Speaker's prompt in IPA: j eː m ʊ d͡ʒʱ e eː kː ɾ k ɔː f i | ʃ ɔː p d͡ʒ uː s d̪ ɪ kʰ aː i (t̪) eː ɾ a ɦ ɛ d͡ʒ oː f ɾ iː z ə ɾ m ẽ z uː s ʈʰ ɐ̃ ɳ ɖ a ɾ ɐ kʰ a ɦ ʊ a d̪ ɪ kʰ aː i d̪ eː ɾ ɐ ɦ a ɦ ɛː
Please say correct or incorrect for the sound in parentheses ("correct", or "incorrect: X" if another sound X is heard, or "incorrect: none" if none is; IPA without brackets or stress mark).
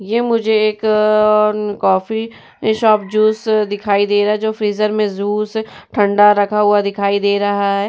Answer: incorrect: d̪